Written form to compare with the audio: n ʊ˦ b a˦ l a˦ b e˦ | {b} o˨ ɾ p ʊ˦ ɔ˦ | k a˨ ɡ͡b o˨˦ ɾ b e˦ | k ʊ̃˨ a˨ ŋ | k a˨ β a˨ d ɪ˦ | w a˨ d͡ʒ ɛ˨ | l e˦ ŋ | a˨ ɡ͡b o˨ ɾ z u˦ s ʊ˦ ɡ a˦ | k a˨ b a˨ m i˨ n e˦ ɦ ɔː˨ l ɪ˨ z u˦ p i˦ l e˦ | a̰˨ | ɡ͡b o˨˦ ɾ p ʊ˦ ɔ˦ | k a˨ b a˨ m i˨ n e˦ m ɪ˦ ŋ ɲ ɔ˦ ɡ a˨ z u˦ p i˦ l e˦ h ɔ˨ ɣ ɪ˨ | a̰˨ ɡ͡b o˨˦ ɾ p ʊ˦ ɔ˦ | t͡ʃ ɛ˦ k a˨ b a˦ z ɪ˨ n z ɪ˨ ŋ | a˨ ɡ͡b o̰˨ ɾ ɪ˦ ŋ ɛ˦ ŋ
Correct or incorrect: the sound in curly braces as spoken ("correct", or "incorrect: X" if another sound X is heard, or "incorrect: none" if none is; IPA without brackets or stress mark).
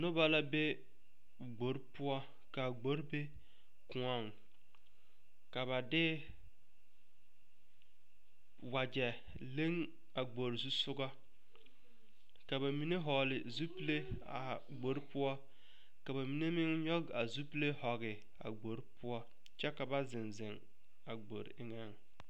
incorrect: ɡ͡b